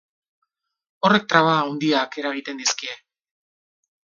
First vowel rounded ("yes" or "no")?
yes